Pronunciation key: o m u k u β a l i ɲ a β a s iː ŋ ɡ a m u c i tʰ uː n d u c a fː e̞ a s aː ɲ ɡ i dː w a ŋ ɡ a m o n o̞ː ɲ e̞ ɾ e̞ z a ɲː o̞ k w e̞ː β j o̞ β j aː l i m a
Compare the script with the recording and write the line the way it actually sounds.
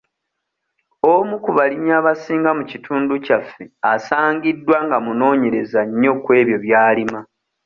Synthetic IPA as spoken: o m u k u β a l i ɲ a β a s iː ŋ ɡ a m u c i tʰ uː n d u c a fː e̞ a s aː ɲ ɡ i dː w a ŋ ɡ a m u n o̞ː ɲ e̞ ɾ e̞ z a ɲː o̞ k w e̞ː β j o̞ β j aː l i m a

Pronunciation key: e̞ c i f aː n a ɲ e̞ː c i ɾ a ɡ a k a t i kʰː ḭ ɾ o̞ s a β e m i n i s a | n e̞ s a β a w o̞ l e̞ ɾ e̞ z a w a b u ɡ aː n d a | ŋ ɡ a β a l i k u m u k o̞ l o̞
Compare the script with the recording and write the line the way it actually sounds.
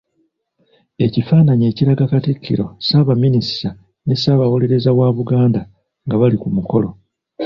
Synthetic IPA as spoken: e̞ c i f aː n a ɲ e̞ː c i ɾ a ɡ a k a t i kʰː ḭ ɾ o̞ s a β a m i n i s a | n e̞ s a β a w o̞ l e̞ ɾ e̞ z a w a β u ɡ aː n d a | ŋ ɡ a β a l i k u m u k o̞ l o̞

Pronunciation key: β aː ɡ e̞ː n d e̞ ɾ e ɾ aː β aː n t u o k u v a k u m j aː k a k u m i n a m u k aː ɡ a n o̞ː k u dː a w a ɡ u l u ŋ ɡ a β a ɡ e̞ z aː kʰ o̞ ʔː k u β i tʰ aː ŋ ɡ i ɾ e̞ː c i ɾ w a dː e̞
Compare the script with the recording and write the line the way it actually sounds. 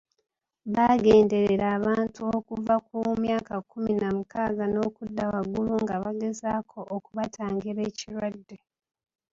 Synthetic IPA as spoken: β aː ɡ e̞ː n d e̞ ɾ e ɾ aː β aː n t u o k u v a k u m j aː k a k u m i n a m u k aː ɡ a n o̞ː k u dː a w a ɡ u l u ŋ ɡ a β a ɡ e̞ z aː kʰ o̞ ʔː k u β a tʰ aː ŋ ɡ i ɾ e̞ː c i ɾ w a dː e̞

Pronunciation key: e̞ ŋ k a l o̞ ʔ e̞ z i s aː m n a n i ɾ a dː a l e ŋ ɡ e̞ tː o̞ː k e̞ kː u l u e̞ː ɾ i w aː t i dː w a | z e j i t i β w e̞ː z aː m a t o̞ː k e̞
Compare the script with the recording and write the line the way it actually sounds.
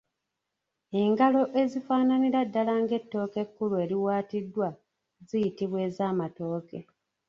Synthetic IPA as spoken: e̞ ŋ ɡ a l o̞ ʔ e̞ z i f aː n a n i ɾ a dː a l a ŋ ɡ e̞ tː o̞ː k e̞ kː u l u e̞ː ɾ i w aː t i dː w a | z i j i t i β w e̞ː z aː m a t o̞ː k e̞

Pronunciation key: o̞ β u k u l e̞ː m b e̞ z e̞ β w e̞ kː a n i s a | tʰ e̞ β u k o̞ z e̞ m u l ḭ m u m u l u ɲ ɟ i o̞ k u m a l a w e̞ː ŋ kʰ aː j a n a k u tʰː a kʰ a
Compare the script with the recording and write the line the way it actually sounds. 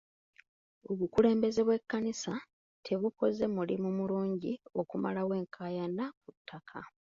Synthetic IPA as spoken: o̞ β u k u l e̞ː m b e̞ z e̞ β w e̞ kː a n i s a | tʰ e̞ β u k o̞ z e̞ m u l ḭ m u m u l uː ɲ ɟ i o̞ k u m a l a w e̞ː ŋ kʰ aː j a n a k u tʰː a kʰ a

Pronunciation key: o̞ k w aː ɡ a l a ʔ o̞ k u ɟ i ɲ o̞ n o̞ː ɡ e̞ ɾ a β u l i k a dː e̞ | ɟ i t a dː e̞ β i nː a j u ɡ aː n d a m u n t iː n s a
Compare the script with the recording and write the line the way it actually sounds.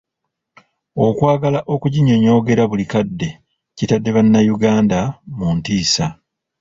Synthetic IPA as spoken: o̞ k w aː ɡ a l a ʔ o̞ k u ɟ i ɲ o̞ ɲ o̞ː ɡ e̞ ɾ a β u l i k a dː e̞ | c i t a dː e̞ β a nː a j u ɡ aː n d a m u n t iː s a

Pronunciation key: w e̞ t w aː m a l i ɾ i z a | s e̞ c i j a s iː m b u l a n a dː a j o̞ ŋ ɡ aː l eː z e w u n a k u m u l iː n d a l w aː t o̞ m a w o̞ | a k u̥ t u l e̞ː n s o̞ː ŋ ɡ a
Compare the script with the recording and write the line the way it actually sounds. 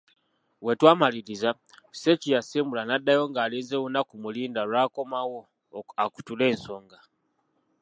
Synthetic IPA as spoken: w e̞ t w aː m a l i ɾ i z a | s e̞ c i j a s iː m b u l a n a dː a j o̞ ŋ ɡ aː l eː z e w u n a k u m u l iː n d a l w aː k o̞ m a w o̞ | a k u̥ t u l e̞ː n s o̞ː ŋ ɡ a

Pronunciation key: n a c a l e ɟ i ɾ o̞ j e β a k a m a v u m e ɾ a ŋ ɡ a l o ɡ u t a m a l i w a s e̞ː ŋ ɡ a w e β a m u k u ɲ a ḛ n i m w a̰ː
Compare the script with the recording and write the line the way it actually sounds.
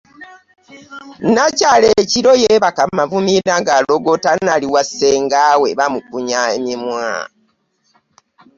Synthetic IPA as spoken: n a c a l e c i ɾ o̞ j e β a k a m a v u m i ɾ a ŋ ɡ a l o ɡ o t a n a l i w a s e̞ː ŋ ɡ a w e β a m u k u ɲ a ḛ m i m w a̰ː

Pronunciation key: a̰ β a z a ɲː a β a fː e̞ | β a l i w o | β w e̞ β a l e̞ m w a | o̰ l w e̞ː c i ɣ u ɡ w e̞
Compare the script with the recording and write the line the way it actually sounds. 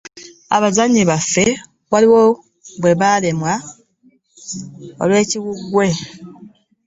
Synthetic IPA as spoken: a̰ β a z a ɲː i β a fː e̞ | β a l i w o | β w e̞ β a l e̞ m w a | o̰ l w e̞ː c i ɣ u ɡ w e̞

